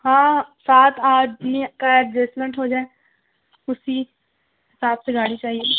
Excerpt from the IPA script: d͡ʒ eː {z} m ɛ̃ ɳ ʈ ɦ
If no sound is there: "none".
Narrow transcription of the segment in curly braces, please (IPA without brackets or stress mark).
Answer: s